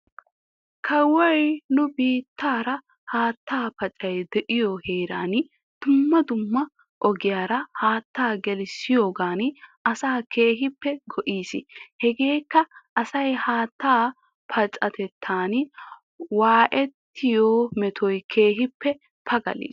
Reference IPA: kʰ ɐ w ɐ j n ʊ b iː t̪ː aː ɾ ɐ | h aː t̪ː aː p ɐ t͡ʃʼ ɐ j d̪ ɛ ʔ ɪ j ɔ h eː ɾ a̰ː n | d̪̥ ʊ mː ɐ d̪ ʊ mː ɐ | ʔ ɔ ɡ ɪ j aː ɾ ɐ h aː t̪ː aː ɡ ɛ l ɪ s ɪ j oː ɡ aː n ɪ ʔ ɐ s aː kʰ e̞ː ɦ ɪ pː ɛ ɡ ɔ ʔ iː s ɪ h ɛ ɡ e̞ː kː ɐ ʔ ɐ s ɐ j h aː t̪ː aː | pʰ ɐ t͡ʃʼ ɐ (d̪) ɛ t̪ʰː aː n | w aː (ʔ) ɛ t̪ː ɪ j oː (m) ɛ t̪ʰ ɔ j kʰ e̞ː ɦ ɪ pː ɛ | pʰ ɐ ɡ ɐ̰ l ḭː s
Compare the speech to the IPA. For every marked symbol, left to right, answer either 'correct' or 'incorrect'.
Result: incorrect, correct, correct

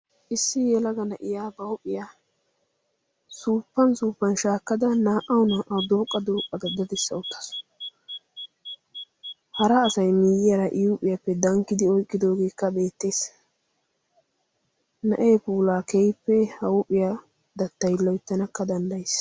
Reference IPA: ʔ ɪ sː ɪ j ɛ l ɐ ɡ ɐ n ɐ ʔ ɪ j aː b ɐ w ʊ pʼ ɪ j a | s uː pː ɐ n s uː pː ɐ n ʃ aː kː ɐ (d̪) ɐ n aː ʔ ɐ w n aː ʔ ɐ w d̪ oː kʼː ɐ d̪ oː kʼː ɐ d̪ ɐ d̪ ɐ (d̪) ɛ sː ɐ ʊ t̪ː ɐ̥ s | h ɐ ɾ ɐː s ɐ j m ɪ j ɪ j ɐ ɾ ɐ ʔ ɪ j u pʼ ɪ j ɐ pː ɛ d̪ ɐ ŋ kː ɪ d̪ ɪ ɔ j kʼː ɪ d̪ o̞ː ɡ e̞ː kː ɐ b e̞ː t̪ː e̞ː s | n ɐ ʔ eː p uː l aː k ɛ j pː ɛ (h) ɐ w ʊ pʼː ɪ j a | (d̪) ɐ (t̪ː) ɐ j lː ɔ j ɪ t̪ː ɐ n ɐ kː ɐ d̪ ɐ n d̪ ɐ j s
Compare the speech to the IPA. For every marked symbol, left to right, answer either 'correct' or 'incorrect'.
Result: correct, correct, correct, correct, correct

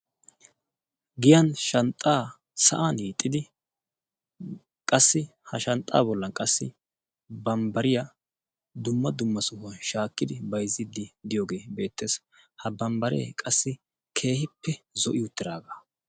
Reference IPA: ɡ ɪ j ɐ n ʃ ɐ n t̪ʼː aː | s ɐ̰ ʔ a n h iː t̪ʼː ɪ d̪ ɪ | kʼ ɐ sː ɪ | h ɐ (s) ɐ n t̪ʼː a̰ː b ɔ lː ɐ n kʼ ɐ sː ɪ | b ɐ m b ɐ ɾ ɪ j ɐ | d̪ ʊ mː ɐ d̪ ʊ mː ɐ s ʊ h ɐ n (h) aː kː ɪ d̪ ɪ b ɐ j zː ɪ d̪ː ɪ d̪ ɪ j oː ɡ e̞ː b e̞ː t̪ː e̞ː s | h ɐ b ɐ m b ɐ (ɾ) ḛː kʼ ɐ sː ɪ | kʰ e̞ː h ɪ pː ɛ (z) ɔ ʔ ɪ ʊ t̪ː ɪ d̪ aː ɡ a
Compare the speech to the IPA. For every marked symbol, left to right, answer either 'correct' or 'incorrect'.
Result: incorrect, incorrect, correct, correct

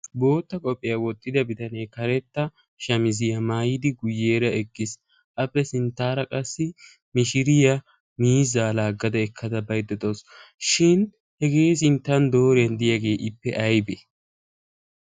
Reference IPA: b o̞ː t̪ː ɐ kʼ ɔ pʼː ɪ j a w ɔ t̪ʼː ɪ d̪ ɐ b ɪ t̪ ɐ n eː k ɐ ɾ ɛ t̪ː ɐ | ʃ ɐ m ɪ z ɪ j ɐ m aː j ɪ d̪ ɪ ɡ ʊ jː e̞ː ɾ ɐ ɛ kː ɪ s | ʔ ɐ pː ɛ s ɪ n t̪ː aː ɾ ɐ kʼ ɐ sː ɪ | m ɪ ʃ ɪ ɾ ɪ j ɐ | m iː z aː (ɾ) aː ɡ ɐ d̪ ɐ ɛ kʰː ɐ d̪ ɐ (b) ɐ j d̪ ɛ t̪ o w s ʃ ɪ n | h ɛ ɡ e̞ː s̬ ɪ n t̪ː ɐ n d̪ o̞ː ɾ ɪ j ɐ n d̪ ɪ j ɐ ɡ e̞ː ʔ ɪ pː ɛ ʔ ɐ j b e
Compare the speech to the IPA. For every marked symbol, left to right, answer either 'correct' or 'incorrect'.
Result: incorrect, correct

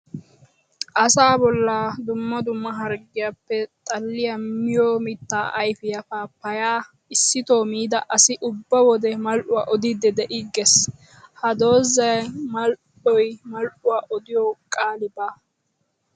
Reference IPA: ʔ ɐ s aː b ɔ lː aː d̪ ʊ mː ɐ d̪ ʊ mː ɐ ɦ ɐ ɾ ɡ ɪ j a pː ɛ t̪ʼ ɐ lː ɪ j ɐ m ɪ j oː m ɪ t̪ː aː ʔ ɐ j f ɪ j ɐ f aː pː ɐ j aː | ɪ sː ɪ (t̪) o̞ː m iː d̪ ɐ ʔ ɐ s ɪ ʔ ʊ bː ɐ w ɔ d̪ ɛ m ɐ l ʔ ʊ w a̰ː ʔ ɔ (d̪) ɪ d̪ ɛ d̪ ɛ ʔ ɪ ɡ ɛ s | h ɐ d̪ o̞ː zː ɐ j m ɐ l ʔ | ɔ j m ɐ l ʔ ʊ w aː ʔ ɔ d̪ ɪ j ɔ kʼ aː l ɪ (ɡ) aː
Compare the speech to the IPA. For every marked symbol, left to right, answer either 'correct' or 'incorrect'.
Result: correct, correct, incorrect

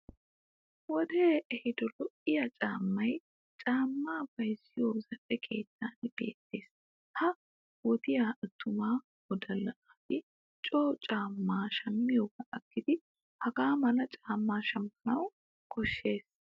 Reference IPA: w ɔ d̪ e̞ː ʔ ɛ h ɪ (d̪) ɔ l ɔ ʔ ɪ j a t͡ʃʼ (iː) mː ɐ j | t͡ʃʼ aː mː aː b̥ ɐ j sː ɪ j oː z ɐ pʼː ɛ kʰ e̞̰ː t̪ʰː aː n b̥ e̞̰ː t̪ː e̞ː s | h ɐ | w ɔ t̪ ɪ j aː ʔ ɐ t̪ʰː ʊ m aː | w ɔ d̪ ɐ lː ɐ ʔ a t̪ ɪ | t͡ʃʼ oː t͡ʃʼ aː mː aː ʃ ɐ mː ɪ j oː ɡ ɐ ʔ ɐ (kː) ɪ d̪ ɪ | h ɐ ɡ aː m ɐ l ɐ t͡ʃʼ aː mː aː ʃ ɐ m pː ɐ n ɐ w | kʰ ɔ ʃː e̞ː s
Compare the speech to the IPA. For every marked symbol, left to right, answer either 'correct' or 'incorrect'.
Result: correct, incorrect, correct

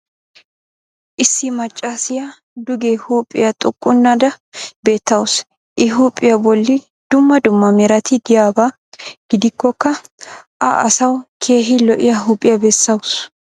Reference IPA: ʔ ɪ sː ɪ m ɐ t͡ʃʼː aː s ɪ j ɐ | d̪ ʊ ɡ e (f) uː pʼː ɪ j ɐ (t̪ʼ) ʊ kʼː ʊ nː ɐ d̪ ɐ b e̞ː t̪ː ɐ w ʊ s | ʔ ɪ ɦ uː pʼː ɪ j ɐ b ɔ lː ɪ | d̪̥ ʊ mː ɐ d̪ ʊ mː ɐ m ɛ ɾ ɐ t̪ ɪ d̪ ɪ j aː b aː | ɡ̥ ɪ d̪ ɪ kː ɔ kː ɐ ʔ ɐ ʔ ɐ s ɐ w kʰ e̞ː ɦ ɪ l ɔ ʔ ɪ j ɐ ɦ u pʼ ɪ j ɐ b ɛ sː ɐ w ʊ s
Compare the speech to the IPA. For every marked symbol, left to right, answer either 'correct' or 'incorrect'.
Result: incorrect, correct

